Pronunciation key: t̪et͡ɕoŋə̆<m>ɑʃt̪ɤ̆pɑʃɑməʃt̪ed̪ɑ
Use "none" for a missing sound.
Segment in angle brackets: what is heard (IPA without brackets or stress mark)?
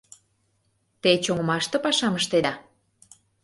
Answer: m